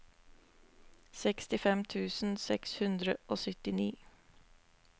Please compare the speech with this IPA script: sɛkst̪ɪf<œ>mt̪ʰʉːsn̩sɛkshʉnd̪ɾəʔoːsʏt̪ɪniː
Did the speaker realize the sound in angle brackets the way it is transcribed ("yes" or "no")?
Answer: no